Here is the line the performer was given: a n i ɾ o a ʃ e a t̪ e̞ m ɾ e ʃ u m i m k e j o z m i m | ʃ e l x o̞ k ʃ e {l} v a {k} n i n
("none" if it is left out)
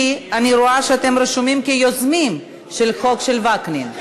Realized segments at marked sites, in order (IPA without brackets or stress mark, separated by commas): l, k